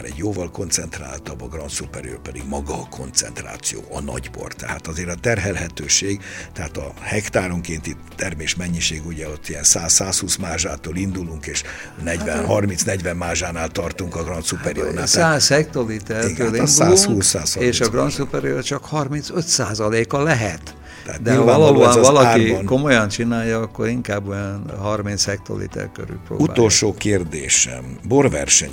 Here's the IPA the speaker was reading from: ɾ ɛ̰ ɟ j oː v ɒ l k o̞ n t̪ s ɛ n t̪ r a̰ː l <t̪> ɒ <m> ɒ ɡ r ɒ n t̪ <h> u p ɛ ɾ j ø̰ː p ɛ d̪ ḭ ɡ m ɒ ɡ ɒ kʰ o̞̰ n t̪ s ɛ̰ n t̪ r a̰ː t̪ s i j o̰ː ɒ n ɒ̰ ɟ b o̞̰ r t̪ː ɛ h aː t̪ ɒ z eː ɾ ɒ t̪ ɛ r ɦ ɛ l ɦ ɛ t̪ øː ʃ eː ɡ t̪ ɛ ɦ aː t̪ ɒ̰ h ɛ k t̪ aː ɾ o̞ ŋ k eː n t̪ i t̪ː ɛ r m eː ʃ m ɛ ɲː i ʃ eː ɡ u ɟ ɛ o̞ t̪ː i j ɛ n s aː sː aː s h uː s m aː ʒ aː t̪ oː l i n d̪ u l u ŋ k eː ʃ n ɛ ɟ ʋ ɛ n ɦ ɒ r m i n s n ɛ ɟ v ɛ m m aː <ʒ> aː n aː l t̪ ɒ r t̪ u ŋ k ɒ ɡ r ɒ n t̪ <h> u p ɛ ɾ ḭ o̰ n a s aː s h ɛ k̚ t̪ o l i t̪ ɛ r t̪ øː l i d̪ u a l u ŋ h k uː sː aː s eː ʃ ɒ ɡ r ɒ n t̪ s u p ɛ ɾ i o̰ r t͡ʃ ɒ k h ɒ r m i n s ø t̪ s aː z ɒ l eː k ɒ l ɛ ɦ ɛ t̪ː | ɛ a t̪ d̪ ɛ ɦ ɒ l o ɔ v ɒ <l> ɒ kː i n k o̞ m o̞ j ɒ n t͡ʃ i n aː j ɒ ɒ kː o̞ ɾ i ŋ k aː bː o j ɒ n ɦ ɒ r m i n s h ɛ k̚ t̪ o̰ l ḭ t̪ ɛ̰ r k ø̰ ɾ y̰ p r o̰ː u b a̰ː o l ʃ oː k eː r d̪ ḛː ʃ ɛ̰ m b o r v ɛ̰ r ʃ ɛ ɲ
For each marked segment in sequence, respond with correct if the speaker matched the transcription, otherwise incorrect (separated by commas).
correct, incorrect, incorrect, correct, incorrect, correct